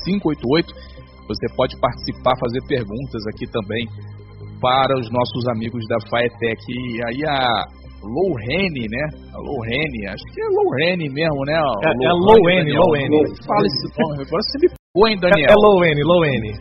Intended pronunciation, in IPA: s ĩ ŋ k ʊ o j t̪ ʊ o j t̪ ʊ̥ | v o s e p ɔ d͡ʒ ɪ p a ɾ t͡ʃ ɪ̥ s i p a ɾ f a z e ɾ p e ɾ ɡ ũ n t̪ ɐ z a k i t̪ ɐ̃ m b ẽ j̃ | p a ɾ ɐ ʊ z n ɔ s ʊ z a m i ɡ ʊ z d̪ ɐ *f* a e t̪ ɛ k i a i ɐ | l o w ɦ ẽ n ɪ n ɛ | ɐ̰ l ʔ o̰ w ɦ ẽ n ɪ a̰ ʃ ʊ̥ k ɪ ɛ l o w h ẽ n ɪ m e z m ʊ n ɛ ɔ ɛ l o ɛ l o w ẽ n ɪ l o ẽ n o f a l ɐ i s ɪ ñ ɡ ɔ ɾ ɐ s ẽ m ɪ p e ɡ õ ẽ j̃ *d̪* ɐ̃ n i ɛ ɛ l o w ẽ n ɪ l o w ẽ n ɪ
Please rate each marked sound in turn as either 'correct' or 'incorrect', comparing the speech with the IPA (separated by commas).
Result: correct, correct